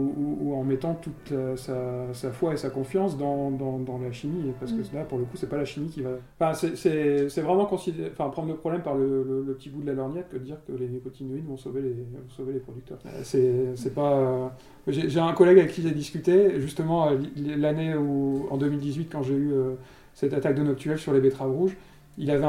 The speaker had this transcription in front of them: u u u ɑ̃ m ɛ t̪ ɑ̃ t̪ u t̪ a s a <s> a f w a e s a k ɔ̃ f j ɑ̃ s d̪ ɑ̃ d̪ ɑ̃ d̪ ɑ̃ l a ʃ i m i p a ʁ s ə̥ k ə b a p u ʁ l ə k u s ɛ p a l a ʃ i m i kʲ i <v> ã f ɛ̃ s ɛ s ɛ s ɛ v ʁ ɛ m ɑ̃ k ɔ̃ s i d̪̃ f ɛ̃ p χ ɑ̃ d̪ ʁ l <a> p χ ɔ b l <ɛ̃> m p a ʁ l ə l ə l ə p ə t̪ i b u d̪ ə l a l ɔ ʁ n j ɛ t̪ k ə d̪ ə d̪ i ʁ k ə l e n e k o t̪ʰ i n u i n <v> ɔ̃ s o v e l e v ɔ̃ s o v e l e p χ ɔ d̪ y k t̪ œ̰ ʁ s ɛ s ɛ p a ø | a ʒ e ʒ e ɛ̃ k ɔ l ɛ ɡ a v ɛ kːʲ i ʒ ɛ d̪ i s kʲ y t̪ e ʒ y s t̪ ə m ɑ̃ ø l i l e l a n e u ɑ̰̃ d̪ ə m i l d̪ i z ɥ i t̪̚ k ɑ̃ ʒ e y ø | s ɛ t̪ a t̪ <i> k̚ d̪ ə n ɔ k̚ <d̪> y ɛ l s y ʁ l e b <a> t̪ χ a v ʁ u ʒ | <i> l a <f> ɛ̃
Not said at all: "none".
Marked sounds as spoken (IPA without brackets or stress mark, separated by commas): s, v, ə, ɛ, v, a, t̪, e, i, v